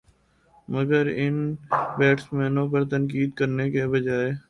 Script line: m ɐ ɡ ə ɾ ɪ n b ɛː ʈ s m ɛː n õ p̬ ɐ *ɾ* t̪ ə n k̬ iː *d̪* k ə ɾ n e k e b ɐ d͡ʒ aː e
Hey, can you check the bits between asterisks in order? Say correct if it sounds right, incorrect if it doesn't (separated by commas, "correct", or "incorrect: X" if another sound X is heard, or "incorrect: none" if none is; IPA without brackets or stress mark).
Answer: correct, correct